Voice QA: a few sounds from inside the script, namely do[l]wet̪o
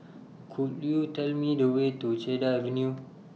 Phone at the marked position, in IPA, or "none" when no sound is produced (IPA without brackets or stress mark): none